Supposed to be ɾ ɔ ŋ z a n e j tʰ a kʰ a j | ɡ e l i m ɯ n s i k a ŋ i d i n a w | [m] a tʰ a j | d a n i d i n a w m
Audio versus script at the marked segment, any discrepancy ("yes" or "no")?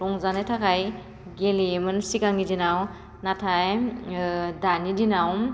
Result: yes